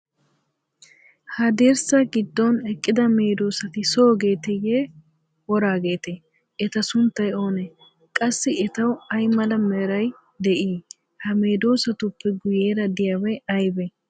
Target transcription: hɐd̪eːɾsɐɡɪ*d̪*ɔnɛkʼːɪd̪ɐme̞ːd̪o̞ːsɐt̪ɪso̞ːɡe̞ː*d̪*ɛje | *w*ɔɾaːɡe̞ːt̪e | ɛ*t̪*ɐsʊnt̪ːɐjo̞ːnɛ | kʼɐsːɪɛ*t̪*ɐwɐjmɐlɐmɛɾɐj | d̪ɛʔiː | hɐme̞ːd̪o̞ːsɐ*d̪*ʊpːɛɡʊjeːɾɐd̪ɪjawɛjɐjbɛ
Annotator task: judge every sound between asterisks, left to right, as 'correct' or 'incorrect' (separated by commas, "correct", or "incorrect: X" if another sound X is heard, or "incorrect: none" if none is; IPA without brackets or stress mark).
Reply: incorrect: d̪ː, incorrect: t̪, correct, correct, correct, incorrect: t̪